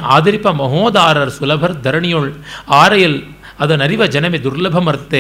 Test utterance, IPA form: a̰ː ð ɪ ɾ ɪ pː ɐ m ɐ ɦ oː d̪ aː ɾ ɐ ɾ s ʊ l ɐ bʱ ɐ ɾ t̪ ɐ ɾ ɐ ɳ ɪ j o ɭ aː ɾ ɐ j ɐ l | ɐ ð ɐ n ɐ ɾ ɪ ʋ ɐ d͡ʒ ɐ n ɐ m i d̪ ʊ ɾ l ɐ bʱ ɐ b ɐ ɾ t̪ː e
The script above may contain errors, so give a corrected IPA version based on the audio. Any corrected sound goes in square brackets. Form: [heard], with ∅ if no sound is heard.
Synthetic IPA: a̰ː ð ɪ ɾ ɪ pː ɐ m ɐ ɦ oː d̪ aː ɾ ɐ ɾ s ʊ l ɐ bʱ ɐ ɾ [d̪] ɐ ɾ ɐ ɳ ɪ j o ɭ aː ɾ ɐ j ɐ l | ɐ ð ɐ n ɐ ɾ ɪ ʋ ɐ d͡ʒ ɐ n ɐ m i d̪ ʊ ɾ l ɐ bʱ ɐ [m] ɐ ɾ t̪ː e